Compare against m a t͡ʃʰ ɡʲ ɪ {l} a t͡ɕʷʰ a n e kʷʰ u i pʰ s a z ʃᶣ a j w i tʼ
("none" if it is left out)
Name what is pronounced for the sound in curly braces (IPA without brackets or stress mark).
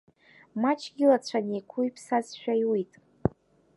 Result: l